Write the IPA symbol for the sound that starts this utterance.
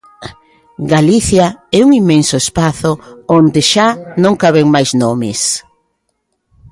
ɡ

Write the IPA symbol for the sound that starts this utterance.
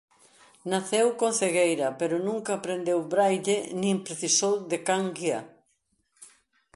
n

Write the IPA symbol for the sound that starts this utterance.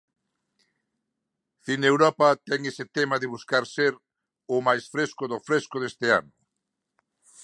θ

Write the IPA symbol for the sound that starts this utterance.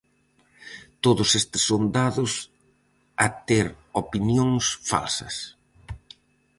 t̪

